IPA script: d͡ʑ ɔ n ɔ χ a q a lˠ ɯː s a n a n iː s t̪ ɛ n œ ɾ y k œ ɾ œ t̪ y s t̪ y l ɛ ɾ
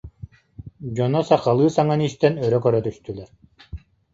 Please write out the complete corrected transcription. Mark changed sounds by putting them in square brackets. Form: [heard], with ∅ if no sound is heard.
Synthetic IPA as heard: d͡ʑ ɔ n ɔ [s] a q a lˠ ɯː s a [ŋ] a n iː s t̪ ɛ n œ ɾ [œ] k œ ɾ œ t̪ y s t̪ y l ɛ ɾ